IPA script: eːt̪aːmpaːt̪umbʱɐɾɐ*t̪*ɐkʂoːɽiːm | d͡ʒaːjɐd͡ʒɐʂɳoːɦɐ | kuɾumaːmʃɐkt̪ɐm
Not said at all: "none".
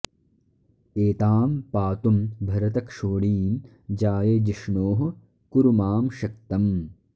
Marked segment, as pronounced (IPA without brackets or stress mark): t̪